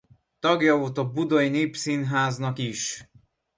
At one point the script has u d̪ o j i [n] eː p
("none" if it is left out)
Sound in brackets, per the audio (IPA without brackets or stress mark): n